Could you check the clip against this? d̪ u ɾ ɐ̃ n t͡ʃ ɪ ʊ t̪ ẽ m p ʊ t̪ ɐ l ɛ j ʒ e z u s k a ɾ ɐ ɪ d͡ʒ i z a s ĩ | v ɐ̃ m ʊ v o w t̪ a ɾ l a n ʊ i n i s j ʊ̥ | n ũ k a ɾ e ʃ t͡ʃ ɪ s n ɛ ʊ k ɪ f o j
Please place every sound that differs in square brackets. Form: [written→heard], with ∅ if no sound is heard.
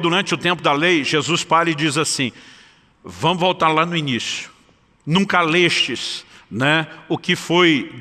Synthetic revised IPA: d̪ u ɾ ɐ̃ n t͡ʃ ɪ ʊ t̪ ẽ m p ʊ [t̪→d̪] ɐ l [ɛ→e] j ʒ e z u s [k→p] a ɾ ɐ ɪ d͡ʒ i z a s ĩ | v ɐ̃ m ʊ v o w t̪ a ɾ l a n ʊ i n i s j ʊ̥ | n ũ k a [ɾ→l] e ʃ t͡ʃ ɪ s n ɛ ʊ k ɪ f o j